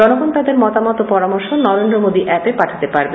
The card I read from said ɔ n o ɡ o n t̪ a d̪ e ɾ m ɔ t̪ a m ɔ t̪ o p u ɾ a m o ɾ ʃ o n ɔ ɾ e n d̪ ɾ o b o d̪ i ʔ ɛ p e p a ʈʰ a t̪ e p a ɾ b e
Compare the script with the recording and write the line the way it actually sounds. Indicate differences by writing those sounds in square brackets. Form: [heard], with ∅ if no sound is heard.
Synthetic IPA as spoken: ɔ n o ɡ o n t̪ a d̪ e ɾ m ɔ t̪ a m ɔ t̪ o p [ɔ] ɾ a m o ɾ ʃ o n ɔ ɾ e n d̪ ɾ o [m] o d̪ i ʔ ɛ p e p a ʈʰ a t̪ e p a ɾ b e